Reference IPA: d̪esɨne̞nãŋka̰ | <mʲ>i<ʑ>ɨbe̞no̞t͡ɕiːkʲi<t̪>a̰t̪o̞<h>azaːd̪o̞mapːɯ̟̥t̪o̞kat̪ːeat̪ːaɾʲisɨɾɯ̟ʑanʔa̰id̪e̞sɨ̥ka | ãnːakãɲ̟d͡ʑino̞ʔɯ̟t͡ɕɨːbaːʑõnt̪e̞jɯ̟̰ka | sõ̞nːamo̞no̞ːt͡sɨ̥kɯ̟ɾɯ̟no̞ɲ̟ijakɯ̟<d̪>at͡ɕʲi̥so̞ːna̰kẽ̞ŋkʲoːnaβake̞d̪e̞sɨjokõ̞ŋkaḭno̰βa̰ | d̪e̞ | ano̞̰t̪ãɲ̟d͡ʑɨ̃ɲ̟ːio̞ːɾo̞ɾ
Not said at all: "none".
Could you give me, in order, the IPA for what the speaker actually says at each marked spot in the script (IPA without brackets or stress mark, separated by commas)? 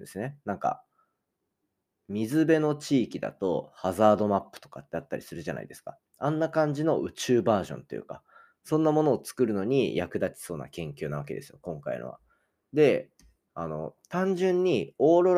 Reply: mʲ, z, d̪, h, d̪